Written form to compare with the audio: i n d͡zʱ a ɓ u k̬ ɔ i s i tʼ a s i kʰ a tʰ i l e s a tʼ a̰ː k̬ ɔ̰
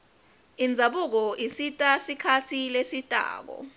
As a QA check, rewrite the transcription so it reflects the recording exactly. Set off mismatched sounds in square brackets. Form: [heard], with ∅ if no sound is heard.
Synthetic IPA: i n d͡zʱ a ɓ u k̬ ɔ i s i tʼ a s i kʰ a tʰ i l e s [i] tʼ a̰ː k̬ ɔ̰